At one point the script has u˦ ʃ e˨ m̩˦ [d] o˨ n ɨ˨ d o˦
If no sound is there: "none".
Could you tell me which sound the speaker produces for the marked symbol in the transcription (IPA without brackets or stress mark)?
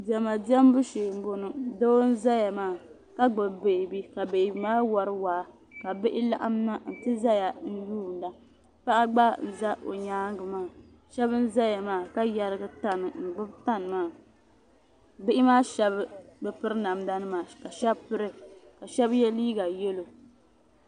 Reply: b